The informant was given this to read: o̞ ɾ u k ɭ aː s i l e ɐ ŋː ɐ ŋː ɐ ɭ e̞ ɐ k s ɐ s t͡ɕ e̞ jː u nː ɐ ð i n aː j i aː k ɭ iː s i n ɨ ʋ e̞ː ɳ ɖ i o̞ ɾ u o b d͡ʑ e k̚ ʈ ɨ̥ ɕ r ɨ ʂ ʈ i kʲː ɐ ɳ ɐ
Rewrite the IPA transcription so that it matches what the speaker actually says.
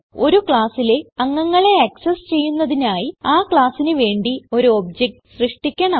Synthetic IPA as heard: o̞ ɾ u k ɭ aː s i l e ɐ ŋː ɐ ŋː ɐ ɭ e̞ ɐ k s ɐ s t͡ɕ e̞ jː u nː ɐ ð i n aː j i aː k ɭ aː s i n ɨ ʋ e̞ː ɳ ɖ i o̞ ɾ u o b d͡ʑ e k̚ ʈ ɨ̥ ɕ r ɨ ʂ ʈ i kʲː ɐ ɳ ɐ

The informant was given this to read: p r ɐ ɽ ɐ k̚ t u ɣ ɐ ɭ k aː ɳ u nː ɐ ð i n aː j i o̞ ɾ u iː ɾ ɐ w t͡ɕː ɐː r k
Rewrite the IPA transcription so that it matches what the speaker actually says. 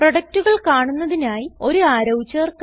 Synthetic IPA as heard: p r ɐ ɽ ɐ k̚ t u ɣ ɐ ɭ k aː ɳ u nː ɐ ð i n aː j i o̞ ɾ u aː ɾ ɐ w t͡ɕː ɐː r k

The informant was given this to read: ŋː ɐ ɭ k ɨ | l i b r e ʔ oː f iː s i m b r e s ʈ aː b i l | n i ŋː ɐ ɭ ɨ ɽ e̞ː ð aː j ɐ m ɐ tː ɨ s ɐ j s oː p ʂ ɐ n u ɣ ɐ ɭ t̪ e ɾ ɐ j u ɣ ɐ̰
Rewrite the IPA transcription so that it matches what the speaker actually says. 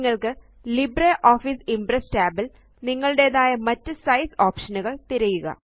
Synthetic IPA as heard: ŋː ɐ ɭ k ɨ | l i b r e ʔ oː f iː s i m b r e s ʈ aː b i l | n i ŋː ɐ ɭ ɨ ɽ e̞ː ð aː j ɐ m ɐ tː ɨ s ɐ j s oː p ʂ ɐ n u ɣ ɐ ɭ t̪ i ɾ ɐ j u ɣ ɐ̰

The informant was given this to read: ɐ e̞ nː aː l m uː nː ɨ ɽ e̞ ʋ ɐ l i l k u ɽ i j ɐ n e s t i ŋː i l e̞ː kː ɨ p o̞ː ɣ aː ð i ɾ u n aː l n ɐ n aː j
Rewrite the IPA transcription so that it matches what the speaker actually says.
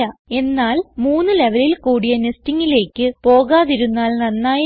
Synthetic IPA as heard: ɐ e̞ nː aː l m uː nː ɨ l e̞ ʋ ɐ l i l k uː ɽ i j ɐ n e s t i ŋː i l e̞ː kː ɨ p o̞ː ɣ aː ð i ɾ u nː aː l n ɐ nː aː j

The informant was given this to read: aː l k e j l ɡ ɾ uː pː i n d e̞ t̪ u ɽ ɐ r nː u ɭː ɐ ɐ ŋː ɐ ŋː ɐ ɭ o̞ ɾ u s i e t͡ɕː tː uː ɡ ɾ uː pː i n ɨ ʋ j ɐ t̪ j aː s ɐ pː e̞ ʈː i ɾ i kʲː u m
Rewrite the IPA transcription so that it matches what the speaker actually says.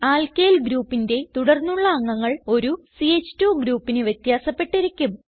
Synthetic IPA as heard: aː l k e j l ɡ ɾ uː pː i n d e̞ t̪ u ɽ ɐ r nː u ɭː ɐ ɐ ŋː ɐ ŋː ɐ ɭ o̞ ɾ u s i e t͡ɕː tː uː ɡ ɾ uː pː i n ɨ ʋ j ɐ t̪ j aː s ɐ pː e̞ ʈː i ɾ i kʲː u m

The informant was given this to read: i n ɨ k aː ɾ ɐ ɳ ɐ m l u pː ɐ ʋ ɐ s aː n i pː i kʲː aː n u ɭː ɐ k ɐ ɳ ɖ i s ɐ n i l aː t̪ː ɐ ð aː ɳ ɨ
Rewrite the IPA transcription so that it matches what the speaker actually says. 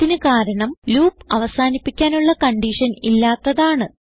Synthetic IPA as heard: i n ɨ k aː ɾ ɐ ɳ ɐ m l uː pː ɐ ʋ ɐ s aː n i pː i kʲː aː n u ɭː ɐ k ɐ ɳ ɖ i ʂ ɐ n i lː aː t̪ː ɐ ð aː ɳ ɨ

